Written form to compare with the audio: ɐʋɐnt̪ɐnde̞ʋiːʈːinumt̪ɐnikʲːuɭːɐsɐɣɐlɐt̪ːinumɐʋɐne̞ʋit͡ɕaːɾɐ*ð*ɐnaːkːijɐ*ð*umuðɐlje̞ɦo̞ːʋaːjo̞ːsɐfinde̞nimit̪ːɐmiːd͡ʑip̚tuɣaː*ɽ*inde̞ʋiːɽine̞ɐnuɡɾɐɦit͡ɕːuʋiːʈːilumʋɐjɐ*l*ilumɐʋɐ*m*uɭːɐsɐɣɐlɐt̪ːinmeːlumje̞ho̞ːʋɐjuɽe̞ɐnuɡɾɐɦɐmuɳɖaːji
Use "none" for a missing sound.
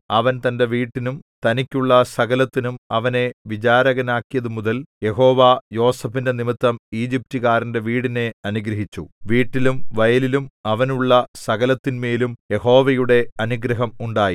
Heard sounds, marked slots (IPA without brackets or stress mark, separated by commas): ɣ, ð, ɾ, l, n